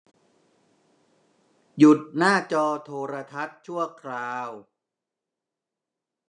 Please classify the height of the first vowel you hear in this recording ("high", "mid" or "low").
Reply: high